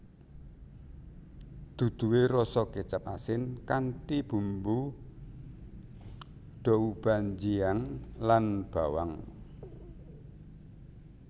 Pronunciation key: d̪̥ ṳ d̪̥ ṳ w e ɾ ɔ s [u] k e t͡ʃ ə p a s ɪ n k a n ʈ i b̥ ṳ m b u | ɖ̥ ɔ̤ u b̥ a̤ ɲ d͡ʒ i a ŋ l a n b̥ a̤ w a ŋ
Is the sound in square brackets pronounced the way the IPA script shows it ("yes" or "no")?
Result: no